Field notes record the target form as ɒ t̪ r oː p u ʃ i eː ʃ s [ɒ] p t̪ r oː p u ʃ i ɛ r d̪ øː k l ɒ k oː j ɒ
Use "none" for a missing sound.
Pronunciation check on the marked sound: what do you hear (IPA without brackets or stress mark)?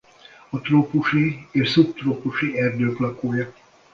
u